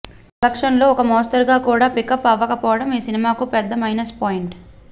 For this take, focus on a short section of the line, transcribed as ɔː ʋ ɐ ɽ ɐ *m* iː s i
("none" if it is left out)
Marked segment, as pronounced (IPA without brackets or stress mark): m